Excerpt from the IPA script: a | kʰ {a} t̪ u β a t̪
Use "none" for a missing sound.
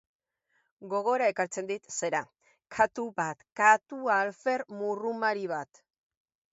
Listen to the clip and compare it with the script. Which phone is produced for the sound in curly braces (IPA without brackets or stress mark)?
a